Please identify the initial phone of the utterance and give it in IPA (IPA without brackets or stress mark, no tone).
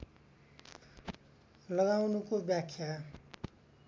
l